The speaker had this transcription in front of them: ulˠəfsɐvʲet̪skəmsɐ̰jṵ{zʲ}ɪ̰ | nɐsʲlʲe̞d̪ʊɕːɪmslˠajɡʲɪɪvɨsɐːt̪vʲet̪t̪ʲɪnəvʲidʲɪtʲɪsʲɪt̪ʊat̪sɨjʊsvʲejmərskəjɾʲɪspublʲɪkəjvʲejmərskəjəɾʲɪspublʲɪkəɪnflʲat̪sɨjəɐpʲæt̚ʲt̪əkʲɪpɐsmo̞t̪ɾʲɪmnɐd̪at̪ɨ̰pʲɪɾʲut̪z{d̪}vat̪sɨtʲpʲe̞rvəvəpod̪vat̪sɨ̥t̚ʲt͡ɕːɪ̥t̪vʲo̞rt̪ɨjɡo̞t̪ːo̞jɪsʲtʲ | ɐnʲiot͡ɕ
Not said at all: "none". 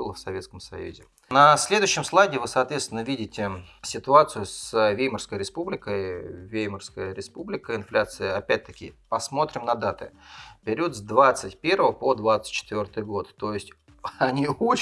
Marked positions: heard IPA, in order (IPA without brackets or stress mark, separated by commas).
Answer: zʲ, d̪